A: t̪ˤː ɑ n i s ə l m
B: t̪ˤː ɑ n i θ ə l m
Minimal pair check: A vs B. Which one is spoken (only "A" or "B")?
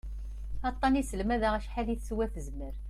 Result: A